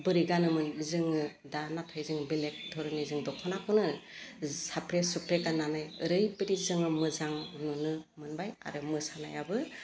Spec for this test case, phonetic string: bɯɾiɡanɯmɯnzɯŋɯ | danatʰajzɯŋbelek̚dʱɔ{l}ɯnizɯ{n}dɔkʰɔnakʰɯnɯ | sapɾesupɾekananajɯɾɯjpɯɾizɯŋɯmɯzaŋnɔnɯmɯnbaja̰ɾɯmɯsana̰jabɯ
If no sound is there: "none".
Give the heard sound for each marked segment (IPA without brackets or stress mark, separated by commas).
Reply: ɾ, ŋ